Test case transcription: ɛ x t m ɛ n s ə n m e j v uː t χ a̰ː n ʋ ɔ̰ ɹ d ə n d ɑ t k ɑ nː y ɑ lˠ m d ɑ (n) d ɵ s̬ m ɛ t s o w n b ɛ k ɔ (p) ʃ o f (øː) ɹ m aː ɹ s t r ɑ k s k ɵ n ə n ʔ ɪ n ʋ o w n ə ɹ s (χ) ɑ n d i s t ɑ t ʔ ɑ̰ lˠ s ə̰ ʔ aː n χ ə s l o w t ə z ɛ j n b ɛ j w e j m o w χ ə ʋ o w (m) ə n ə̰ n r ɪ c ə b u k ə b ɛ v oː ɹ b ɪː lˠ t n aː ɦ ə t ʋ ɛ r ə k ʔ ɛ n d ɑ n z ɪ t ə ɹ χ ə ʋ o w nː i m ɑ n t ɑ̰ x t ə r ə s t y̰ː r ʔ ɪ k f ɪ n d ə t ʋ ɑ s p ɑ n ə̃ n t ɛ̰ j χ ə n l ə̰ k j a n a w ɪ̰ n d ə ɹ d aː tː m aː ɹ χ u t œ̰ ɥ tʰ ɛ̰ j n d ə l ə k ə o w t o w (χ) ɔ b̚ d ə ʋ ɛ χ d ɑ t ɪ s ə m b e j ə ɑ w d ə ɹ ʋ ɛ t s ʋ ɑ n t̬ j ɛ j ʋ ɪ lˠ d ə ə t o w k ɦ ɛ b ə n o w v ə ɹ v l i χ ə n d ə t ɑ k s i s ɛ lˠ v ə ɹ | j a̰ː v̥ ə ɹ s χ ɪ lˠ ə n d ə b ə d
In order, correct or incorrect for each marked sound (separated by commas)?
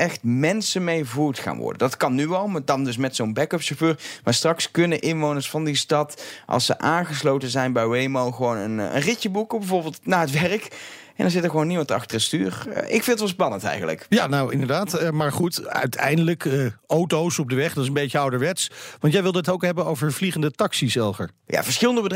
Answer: correct, correct, correct, incorrect, incorrect, incorrect